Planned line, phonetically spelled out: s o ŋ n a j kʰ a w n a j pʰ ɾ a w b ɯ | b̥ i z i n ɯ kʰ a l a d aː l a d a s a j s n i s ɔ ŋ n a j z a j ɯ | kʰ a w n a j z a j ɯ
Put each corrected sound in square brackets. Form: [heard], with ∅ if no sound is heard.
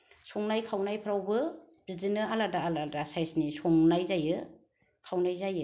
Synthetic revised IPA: s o ŋ n a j kʰ a w n a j pʰ ɾ a w b ɯ | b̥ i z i n ɯ [∅] a l a d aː l a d a s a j s n i s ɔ ŋ n a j z a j ɯ | kʰ a w n a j z a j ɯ